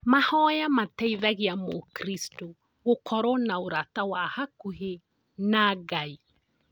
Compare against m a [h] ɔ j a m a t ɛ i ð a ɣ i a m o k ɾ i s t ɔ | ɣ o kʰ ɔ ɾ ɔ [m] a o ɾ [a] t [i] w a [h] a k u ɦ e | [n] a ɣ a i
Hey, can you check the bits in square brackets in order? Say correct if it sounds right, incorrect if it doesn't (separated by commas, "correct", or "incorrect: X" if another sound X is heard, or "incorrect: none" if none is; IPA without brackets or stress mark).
correct, incorrect: n, correct, incorrect: a, correct, correct